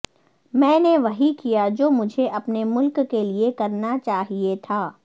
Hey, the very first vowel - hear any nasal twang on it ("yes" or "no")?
yes